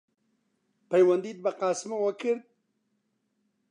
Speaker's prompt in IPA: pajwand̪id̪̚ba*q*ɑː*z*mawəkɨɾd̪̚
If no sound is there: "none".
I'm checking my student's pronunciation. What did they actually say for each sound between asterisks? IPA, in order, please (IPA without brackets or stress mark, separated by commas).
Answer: q, s